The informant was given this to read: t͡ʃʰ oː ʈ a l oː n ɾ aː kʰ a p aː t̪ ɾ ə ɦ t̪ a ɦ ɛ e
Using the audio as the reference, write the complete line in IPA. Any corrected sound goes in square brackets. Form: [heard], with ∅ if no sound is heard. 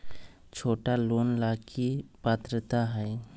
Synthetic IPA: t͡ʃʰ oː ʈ a l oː n [l] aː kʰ [i] p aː t̪ ɾ ə [∅] t̪ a ɦ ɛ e